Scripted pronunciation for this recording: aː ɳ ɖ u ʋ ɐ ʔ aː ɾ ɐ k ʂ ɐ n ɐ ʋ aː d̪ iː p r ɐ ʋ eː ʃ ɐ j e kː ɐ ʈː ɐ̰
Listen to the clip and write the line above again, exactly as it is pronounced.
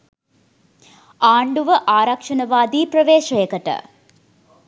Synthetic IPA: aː ɳ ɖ u ʋ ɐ ʔ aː ɾ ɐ k ʂ ɐ n ɐ ʋ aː d̪ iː p r ɐ ʋ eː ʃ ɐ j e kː ɐ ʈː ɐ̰